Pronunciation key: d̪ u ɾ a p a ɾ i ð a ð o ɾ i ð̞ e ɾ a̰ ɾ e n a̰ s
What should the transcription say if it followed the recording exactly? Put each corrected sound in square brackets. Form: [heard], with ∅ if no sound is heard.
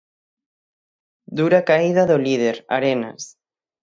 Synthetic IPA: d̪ u ɾ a [k] a [∅] i ð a ð o [l] i ð̞ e ɾ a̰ ɾ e n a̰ s